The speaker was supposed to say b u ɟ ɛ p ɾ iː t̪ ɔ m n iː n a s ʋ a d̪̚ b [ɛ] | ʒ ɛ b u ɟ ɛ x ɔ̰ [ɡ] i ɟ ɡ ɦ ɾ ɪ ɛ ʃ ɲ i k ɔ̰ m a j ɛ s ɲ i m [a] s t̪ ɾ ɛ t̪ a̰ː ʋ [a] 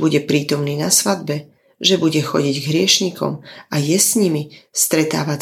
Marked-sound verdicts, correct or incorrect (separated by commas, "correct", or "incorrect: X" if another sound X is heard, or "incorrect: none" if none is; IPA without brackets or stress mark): correct, incorrect: ɟ, incorrect: i, correct